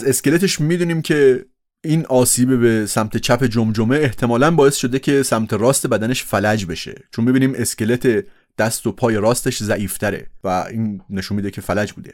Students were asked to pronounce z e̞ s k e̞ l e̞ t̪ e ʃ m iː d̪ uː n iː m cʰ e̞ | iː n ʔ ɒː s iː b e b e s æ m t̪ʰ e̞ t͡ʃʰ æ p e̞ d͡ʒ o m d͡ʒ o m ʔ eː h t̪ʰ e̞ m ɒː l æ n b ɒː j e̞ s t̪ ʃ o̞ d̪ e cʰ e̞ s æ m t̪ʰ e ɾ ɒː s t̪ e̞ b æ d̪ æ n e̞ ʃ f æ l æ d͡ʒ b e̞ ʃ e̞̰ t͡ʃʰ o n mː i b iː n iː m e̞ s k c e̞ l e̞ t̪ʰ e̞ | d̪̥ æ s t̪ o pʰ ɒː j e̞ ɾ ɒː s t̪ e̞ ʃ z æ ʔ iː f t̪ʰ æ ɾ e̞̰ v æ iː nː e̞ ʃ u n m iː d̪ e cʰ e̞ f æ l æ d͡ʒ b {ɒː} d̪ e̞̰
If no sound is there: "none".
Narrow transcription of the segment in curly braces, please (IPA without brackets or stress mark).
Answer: uː